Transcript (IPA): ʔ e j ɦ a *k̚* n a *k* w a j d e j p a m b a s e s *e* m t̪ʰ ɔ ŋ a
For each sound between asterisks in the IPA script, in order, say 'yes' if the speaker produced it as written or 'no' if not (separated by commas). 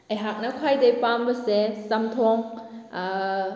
yes, no, no